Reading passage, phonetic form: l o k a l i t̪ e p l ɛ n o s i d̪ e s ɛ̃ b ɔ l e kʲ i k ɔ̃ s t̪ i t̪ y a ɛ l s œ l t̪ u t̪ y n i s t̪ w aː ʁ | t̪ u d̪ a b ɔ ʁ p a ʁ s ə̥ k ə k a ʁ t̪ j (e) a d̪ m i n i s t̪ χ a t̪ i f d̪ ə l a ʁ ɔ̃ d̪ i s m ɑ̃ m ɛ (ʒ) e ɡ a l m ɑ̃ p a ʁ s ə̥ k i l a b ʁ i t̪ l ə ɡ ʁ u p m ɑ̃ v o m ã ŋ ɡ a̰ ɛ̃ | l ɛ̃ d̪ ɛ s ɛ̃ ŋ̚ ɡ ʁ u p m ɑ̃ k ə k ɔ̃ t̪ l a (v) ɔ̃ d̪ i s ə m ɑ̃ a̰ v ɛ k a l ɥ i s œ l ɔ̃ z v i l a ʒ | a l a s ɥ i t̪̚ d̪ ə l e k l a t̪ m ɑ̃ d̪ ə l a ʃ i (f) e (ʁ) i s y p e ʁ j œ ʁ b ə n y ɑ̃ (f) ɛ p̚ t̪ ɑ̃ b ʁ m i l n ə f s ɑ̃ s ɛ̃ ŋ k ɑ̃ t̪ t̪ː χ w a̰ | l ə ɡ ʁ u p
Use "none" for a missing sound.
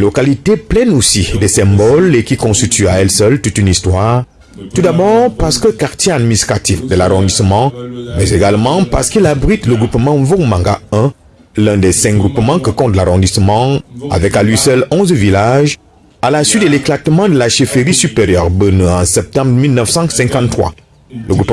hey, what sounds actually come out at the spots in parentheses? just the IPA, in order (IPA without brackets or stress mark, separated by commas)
e, z, ʁ, f, ʁ, s